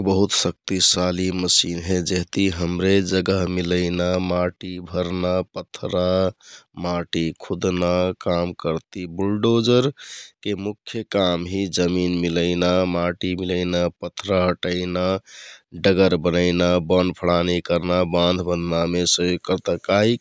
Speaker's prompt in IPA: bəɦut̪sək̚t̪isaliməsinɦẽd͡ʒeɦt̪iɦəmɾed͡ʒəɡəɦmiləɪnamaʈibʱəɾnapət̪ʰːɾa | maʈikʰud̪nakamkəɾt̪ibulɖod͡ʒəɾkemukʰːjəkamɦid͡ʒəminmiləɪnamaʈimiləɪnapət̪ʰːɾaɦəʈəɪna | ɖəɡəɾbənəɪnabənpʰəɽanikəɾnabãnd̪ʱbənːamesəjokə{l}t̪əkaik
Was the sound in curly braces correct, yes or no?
no